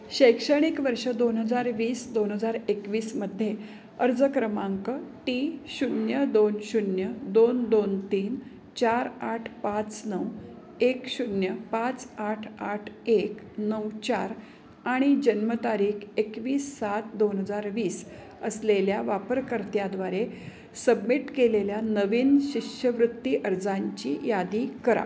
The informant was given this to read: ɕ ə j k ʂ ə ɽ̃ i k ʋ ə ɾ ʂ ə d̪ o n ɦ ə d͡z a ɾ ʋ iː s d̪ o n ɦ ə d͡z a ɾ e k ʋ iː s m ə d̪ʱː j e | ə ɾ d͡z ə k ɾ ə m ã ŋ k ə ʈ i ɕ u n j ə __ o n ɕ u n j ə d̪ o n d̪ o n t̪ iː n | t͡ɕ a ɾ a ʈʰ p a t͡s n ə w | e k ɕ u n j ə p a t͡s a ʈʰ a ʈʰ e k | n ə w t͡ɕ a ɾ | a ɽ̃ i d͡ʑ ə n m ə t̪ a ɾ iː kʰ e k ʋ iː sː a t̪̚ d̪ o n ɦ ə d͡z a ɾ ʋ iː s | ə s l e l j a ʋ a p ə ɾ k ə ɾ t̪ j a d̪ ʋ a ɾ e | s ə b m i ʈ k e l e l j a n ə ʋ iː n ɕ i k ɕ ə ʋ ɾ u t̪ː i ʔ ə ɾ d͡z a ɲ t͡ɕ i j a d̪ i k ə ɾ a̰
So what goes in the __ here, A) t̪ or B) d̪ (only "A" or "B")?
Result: B